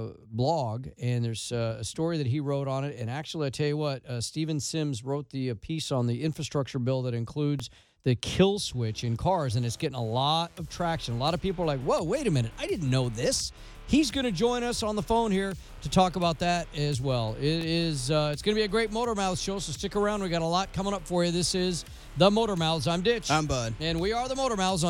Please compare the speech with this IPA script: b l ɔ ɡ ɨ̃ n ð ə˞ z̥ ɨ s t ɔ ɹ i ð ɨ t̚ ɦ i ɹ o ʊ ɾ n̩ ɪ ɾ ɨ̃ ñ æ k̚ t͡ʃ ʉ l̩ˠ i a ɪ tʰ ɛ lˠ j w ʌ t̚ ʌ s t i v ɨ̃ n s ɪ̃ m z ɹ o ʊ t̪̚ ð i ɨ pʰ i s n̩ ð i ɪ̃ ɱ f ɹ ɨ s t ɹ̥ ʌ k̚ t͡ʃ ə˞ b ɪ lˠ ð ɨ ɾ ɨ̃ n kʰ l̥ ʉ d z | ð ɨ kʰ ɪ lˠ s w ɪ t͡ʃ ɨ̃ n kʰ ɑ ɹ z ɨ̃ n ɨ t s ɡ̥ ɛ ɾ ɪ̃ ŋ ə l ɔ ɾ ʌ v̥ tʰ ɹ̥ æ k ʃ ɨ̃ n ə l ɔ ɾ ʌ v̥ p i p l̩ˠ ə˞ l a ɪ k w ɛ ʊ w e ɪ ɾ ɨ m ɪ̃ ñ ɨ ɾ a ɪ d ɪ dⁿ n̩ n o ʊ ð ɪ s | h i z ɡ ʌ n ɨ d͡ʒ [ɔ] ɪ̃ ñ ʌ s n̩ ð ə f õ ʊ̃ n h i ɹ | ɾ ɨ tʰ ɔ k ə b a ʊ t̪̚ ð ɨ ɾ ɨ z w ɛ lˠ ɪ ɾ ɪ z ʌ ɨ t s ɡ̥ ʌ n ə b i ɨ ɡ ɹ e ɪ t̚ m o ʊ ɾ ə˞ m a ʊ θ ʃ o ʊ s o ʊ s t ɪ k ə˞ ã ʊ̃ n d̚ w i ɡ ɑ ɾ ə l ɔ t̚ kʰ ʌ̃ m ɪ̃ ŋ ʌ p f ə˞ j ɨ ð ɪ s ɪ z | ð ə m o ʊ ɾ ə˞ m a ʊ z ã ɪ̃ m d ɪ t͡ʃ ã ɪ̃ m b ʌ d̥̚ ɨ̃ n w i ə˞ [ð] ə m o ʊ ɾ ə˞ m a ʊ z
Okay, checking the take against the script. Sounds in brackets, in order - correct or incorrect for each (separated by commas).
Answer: incorrect, correct